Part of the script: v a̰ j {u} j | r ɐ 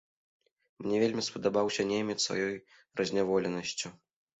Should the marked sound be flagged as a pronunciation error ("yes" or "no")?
yes